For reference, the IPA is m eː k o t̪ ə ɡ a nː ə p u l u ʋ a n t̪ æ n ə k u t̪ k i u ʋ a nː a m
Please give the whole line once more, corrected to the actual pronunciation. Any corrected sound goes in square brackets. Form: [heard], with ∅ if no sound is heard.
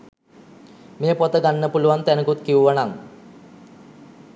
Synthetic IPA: m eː [p] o t̪ ə ɡ a nː ə p u l u ʋ a n t̪ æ n ə k u t̪ k i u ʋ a [n] a [ŋ]